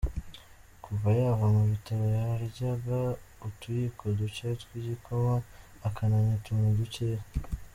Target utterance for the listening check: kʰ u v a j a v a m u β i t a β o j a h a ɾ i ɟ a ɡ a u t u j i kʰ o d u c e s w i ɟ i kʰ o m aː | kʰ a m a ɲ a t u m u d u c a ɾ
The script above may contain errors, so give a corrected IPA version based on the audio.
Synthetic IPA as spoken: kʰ u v a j a v a m u β i t a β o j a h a ɾ i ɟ a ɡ a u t u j i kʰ o d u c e t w i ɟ i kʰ o m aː | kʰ a n a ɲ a t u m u d u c e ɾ